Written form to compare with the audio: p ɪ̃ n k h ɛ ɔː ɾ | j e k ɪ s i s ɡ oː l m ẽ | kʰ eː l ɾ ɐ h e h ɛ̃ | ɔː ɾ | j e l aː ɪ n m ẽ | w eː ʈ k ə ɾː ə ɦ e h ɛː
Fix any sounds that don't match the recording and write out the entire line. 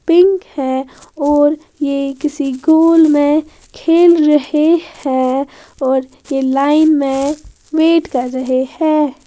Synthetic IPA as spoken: p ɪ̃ ŋ k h ɛ ɔː ɾ | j e k ɪ s i ɡ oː l m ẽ | kʰ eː l ɾ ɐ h e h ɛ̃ | ɔː ɾ | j e l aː ɪ n m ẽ | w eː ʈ k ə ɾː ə ɦ e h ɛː